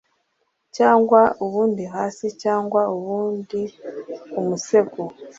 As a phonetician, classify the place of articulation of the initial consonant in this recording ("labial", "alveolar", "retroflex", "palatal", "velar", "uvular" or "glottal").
palatal